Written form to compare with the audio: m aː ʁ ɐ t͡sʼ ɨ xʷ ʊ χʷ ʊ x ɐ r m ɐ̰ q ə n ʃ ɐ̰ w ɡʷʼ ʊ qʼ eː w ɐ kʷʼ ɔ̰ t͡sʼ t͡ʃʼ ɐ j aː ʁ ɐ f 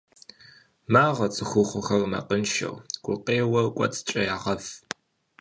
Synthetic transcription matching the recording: m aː ʁ ɐ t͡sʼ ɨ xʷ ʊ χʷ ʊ x ɐ r m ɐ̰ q ə n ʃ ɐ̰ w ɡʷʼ ʊ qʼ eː w ɐ kʷʼ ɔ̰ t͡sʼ t͡ʃʼ ɐ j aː ʁ ɐ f